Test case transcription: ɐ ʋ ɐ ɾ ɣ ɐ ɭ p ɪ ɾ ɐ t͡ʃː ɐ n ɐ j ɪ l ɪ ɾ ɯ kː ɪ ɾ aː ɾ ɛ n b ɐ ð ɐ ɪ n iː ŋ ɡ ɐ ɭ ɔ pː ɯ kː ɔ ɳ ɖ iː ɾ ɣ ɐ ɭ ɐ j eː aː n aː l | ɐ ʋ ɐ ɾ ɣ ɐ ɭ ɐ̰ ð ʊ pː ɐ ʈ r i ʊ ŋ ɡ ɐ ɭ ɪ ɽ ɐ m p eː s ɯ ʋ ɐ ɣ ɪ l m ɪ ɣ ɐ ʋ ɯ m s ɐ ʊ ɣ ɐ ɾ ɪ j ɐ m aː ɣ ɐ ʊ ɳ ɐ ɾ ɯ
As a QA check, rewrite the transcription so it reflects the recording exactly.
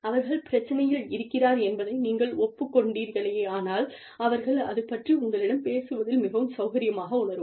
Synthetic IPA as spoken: ɐ ʋ ɐ ɾ ɣ ɐ ɭ p ɪ ɾ ɐ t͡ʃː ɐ n ɐ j ɪ l ɪ ɾ ɯ kː ɪ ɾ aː ɾ ɛ n b ɐ ð ɐ ɪ n iː ŋ ɡ ɐ ɭ ɔ pː ɯ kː ɔ ɳ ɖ iː ɾ ɣ ɐ ɭ ɐ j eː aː n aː l | ɐ ʋ ɐ ɾ ɣ ɐ ɭ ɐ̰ ð ɯ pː ɐ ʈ r i ʊ ŋ ɡ ɐ ɭ ɪ ɽ ɐ m p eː s ɯ ʋ ɐ ð ɪ l m ɪ ɣ ɐ ʋ ɯ m s ɐ ʊ ɣ ɐ ɾ ɪ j ɐ m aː ɣ ɐ ʊ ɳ ɐ ɾ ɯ